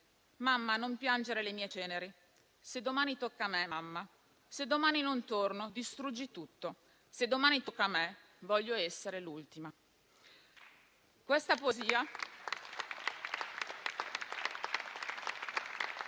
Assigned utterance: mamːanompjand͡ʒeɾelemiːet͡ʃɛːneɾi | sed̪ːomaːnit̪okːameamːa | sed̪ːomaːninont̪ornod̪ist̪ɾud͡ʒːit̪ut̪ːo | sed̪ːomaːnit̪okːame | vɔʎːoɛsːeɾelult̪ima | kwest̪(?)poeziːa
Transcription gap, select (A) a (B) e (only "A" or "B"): A